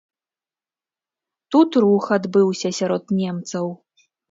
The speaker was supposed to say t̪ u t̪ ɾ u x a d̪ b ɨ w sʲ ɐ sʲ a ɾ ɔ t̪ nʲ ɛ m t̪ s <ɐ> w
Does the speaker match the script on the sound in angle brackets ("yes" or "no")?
yes